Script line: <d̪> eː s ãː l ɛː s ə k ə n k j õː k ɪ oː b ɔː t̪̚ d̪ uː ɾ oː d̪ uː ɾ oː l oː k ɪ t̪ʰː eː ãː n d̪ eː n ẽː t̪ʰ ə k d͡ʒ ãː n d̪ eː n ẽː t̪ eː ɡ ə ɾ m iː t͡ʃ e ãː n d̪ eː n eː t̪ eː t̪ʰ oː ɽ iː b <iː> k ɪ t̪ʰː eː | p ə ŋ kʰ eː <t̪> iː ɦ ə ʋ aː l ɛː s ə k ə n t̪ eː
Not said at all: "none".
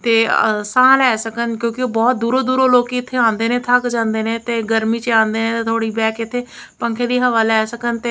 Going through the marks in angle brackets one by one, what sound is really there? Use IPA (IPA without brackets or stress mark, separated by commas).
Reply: t̪, ɛː, d̪